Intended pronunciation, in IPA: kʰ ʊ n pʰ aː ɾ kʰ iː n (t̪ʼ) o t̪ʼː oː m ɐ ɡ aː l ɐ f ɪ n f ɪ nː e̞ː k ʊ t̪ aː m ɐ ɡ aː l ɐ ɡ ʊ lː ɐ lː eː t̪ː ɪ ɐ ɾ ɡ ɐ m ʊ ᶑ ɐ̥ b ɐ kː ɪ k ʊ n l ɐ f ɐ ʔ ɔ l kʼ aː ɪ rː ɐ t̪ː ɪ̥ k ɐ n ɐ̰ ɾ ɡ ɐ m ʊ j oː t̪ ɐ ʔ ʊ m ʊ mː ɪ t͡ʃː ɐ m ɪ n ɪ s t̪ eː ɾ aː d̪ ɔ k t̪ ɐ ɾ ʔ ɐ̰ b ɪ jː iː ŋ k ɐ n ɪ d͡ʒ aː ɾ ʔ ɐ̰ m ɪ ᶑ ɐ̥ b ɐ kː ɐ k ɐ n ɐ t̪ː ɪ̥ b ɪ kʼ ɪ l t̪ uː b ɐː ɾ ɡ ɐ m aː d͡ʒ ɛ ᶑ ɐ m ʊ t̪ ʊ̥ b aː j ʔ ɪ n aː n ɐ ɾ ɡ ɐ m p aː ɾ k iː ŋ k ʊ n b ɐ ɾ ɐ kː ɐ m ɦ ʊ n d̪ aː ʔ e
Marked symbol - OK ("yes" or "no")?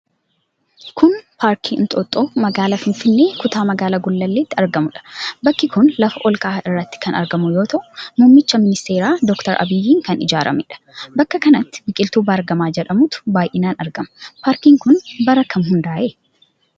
yes